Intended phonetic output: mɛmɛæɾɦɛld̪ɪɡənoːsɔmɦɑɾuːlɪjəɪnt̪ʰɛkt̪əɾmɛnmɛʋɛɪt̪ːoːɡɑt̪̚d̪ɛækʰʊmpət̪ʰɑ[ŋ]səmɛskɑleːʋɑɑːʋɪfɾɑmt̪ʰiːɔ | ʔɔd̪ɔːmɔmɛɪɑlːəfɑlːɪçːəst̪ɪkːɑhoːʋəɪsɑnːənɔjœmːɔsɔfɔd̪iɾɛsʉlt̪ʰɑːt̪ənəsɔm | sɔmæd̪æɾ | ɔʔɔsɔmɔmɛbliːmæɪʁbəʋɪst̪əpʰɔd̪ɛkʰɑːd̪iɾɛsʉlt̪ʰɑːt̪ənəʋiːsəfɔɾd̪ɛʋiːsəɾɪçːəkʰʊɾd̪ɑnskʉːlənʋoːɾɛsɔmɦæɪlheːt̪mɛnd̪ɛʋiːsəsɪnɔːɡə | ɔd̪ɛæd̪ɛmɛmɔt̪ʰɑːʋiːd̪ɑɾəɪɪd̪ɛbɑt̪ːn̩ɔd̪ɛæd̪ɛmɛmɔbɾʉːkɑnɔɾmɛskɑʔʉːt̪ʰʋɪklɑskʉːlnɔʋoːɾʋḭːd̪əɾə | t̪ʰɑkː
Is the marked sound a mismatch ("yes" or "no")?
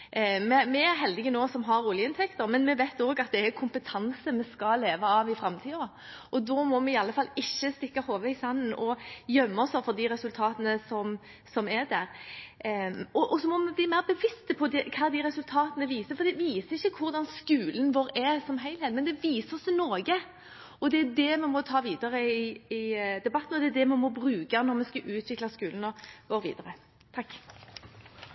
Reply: yes